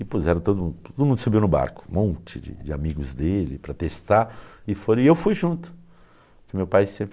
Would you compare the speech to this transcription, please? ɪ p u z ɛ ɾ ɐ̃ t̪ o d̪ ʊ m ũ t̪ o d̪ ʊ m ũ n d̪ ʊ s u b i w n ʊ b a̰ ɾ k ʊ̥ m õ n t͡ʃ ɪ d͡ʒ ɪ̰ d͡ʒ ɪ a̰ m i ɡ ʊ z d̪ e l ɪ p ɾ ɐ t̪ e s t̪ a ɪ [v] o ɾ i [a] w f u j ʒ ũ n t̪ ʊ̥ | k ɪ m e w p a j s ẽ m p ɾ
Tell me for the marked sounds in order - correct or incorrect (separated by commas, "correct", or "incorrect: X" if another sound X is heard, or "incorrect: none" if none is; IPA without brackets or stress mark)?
incorrect: f, incorrect: e